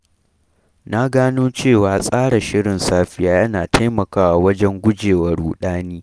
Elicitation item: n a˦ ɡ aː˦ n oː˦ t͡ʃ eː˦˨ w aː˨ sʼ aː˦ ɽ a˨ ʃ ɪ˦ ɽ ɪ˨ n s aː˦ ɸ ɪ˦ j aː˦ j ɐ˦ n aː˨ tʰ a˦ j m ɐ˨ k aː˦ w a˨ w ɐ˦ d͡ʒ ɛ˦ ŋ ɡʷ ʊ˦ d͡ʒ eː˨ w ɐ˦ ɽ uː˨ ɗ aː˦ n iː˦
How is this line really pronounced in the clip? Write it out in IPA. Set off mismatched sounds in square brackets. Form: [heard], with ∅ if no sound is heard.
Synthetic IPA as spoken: n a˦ ɡ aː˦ n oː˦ t͡ʃ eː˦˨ w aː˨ sʼ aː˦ ɽ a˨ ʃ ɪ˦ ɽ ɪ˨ n s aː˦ ɸ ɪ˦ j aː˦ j ɐ˦ n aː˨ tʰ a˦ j m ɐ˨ k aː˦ w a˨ w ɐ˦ d͡ʒ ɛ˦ ŋ ɡʷ ʊ˦ d͡ʒ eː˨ w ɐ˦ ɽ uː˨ ɗ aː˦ n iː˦

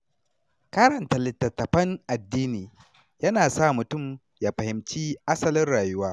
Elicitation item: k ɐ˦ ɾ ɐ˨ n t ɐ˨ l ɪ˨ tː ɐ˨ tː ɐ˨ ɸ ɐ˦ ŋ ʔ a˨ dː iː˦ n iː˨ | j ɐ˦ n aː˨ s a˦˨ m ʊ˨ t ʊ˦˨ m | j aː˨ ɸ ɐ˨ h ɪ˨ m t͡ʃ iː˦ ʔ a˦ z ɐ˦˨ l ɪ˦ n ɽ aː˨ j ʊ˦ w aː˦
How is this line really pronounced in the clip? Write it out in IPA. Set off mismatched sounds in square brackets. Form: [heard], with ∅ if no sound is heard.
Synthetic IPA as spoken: k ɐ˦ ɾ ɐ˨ n t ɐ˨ l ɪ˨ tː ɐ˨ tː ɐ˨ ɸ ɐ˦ ŋ ʔ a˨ dː iː˦ n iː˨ | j ɐ˦ n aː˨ s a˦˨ m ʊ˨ t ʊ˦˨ m | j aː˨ ɸ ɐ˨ h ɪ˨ m t͡ʃ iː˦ ʔ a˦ [s] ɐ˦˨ l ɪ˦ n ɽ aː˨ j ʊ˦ w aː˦

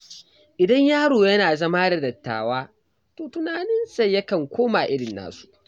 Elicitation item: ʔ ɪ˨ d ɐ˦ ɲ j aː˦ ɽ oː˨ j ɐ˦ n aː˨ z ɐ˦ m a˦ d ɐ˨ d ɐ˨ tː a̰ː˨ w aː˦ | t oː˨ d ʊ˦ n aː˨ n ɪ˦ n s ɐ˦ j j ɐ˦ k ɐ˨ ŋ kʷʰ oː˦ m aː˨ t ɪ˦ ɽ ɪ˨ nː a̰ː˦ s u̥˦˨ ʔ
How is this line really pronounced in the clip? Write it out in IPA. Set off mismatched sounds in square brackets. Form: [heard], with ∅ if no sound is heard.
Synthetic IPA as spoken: ʔ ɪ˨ d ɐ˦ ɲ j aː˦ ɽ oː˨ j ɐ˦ n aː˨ z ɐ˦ m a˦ d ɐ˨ d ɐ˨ tː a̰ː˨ w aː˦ | t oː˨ [t] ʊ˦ n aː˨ n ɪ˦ n s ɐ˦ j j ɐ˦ k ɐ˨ ŋ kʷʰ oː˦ m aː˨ [ʔ] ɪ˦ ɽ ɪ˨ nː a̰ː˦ s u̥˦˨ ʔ

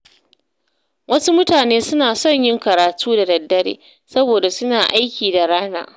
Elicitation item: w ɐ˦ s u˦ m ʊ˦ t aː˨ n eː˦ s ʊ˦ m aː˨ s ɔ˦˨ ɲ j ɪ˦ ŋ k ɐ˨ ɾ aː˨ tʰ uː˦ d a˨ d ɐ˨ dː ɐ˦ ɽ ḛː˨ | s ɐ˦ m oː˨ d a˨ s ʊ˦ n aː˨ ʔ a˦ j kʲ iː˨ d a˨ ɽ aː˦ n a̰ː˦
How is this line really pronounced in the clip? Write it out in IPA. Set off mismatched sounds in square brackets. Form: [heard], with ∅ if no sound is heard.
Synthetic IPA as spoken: w ɐ˦ s u˦ m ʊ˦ t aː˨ n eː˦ s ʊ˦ [n] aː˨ s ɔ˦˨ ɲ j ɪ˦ ŋ k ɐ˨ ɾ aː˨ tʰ uː˦ d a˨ d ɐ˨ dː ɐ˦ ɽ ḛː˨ | s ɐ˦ [b] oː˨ d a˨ s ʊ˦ n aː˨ ʔ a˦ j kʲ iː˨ d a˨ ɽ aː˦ n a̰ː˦

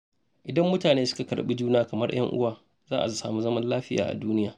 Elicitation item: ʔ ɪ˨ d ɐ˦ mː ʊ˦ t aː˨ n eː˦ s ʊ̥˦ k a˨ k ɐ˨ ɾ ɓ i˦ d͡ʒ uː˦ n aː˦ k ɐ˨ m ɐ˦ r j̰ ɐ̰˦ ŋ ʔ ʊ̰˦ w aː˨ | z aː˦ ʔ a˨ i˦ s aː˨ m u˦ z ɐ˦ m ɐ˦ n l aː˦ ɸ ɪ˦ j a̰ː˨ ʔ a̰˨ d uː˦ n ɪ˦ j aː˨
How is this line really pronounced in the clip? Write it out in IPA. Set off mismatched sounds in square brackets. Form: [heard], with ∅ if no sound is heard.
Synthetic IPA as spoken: ʔ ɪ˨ d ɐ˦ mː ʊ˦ t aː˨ n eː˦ s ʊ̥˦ k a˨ k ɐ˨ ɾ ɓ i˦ d͡ʒ uː˦ n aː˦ k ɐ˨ m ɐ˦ r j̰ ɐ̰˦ ŋ ʔ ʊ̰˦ w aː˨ | z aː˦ ʔ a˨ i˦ s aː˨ m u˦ z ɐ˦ m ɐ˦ n l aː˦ ɸ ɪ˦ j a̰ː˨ ʔ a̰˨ d uː˦ n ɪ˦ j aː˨

